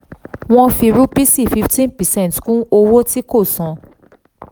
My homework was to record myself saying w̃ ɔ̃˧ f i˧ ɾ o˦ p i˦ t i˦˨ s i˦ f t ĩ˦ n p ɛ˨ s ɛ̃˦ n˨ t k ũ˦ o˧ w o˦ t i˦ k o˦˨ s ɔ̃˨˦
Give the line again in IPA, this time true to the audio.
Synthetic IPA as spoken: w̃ ɔ̃˧ f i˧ ɾ u˦ p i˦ s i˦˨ f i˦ f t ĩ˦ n p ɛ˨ s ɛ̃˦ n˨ t k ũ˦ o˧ w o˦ t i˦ k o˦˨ s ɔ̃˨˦